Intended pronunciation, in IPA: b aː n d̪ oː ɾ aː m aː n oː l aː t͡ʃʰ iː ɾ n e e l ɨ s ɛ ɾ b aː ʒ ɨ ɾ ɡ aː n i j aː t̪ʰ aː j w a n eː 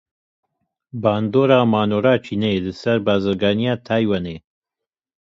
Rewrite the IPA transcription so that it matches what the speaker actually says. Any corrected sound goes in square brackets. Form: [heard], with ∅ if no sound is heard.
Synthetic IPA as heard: b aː n d̪ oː ɾ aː m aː n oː [ɾ] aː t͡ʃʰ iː [∅] n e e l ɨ s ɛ ɾ b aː [z] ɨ ɾ ɡ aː n i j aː t̪ʰ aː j w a n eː